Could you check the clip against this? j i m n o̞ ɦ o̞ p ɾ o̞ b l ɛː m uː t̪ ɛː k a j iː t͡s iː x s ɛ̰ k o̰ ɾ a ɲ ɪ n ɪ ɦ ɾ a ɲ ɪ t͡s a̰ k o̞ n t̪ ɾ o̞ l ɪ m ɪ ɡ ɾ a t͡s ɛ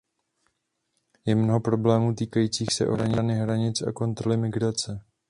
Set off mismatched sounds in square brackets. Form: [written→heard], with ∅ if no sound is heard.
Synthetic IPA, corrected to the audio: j [i→ɛ] m n o̞ ɦ o̞ p ɾ o̞ b l ɛː m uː t̪ [ɛː→iː] k a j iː t͡s iː x s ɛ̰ [k→ʔ] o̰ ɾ a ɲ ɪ n ɪ ɦ ɾ a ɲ ɪ t͡s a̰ k o̞ n t̪ ɾ o̞ l ɪ m ɪ ɡ ɾ a t͡s ɛ